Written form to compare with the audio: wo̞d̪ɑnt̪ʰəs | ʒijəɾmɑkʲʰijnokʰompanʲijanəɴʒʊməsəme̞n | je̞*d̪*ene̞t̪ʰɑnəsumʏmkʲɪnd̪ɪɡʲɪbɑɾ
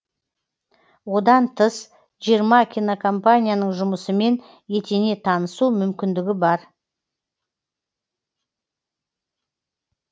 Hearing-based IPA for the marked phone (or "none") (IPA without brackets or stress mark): t̪